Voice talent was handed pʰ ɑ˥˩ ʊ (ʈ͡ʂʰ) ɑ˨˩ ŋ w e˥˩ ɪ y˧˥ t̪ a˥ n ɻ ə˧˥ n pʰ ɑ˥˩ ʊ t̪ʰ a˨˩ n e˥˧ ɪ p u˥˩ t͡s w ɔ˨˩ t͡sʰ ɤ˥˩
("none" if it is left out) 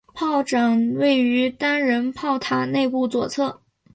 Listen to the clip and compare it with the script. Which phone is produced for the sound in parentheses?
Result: ʈ͡ʂ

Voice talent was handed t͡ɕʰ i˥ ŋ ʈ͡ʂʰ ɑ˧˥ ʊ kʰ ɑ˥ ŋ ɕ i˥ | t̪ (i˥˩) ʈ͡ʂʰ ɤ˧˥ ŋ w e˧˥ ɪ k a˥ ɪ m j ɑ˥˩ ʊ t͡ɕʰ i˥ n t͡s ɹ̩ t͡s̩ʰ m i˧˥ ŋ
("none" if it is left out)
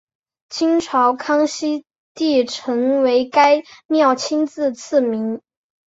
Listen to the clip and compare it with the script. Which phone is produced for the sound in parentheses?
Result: i˥˩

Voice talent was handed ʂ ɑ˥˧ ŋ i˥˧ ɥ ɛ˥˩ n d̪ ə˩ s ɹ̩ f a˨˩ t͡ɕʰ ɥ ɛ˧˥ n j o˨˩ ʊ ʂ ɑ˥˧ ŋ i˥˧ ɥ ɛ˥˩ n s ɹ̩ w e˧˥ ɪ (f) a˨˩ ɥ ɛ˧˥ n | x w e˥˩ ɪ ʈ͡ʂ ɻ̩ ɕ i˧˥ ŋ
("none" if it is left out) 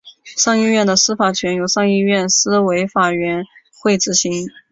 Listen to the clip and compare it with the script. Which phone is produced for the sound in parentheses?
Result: f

